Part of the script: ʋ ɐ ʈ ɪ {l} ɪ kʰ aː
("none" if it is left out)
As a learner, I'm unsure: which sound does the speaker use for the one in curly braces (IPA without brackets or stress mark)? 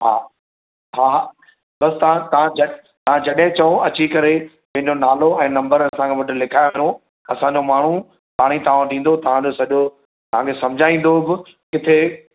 l